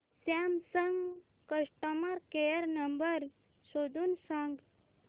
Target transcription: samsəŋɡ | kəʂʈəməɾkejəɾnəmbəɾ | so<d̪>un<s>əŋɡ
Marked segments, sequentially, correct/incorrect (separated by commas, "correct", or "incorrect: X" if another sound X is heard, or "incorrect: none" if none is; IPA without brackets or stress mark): correct, correct